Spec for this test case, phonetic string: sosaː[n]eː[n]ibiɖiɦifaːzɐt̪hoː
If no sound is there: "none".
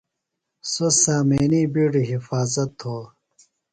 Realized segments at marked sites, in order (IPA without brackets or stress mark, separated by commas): m, n